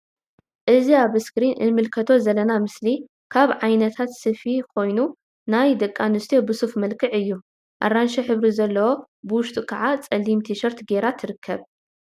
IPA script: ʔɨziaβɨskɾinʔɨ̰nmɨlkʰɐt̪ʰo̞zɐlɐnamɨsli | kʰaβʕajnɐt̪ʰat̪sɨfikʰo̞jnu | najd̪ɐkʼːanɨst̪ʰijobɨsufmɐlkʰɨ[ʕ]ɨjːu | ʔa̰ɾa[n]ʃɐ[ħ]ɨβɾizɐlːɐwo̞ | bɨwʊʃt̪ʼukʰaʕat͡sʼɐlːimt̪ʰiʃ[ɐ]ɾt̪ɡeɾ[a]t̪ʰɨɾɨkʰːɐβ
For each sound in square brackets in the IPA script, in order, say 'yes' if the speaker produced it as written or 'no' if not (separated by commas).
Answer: yes, yes, yes, yes, yes